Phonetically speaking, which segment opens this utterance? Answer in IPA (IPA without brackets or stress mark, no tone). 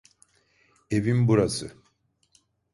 e